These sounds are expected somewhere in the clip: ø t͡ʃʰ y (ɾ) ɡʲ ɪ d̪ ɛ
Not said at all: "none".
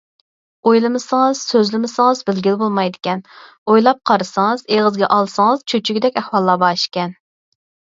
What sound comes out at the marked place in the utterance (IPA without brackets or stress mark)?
none